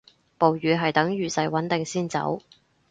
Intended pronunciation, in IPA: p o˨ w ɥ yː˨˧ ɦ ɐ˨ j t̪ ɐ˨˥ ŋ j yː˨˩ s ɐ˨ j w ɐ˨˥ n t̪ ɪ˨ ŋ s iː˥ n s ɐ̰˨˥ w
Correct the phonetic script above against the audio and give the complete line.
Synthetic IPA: p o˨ w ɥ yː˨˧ ɦ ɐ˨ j t̪ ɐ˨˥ ŋ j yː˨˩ s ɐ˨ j w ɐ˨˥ n t̪ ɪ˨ ŋ s iː˥ n t͡s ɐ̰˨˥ w